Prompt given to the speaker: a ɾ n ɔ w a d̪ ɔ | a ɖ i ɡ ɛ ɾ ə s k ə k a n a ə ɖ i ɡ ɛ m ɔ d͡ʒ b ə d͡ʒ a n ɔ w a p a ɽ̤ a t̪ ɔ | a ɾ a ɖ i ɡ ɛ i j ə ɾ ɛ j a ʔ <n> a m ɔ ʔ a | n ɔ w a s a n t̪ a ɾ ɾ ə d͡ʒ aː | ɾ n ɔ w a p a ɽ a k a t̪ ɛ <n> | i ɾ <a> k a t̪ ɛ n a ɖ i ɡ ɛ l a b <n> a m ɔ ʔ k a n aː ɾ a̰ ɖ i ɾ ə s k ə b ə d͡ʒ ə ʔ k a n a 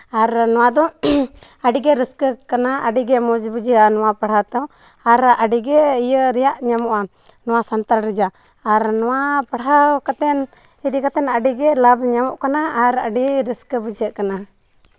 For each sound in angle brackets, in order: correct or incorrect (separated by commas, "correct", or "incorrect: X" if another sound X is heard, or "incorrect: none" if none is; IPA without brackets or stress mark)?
incorrect: ɲ, correct, incorrect: i, incorrect: ɲ